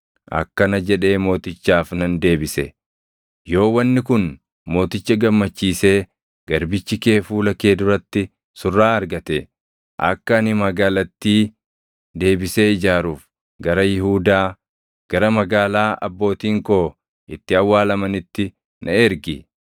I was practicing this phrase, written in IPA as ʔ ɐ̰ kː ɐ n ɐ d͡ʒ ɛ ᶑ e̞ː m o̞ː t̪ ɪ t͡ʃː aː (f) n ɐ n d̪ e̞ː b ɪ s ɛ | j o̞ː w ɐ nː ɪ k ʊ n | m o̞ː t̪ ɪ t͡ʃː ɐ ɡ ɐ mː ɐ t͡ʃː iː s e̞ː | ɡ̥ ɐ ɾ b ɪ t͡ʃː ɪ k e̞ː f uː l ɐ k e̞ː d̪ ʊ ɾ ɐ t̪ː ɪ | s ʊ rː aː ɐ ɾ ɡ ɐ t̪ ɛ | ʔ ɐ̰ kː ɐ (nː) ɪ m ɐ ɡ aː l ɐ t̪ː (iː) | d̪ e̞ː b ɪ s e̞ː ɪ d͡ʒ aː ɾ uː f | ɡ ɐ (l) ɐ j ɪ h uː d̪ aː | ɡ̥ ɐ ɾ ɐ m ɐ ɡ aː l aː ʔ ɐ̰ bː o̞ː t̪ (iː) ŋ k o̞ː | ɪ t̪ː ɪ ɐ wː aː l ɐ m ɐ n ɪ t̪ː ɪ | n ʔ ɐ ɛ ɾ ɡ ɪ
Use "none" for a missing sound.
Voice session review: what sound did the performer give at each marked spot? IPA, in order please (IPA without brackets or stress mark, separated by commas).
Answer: f, n, iː, ɾ, iː